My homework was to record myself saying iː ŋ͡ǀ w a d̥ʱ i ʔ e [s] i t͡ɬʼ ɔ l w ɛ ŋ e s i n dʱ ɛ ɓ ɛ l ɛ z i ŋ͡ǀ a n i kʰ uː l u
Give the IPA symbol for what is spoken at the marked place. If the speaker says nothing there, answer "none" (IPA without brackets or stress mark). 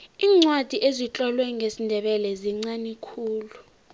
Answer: z